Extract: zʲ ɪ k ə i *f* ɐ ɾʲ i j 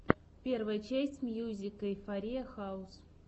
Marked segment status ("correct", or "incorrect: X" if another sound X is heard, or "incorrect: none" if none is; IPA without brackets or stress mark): correct